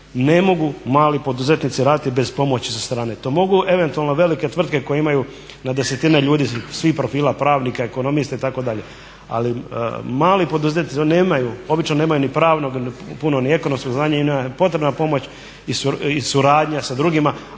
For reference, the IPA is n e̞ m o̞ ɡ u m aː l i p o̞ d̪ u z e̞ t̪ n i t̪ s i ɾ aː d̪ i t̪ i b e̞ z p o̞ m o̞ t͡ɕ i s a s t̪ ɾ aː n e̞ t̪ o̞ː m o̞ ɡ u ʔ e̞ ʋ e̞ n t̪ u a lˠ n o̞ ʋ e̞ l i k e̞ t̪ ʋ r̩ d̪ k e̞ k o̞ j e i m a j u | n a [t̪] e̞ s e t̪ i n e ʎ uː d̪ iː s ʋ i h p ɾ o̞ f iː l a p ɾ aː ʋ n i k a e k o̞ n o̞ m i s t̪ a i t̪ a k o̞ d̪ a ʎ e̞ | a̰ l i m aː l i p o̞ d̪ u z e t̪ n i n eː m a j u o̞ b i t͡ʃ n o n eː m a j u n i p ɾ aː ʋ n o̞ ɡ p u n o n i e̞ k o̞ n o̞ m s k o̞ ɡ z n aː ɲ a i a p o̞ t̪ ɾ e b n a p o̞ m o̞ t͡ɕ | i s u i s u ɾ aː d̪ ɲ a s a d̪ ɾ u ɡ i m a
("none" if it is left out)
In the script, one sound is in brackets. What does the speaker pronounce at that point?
d̪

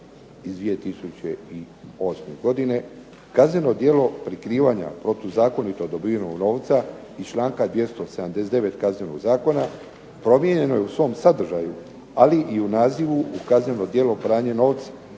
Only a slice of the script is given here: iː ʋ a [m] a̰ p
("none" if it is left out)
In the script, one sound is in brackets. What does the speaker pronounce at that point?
ɲ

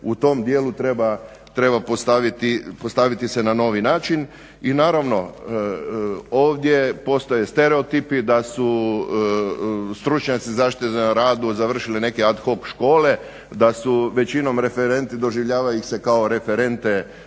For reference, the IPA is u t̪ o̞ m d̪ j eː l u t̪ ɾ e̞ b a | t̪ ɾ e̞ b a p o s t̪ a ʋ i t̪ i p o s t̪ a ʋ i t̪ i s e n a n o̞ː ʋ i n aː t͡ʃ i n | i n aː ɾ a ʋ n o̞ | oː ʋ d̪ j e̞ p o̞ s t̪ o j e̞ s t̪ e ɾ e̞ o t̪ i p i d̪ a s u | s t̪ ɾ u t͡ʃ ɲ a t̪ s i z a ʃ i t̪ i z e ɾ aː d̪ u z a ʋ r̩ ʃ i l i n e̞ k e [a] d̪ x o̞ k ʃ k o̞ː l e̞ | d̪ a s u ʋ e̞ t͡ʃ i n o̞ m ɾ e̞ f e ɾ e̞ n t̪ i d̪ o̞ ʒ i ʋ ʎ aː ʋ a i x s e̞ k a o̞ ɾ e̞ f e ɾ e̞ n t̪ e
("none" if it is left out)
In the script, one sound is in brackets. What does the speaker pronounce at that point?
a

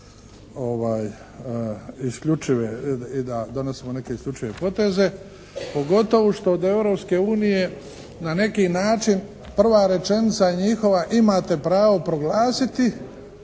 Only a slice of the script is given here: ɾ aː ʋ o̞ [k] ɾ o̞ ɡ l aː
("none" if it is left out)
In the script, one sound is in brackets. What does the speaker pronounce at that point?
p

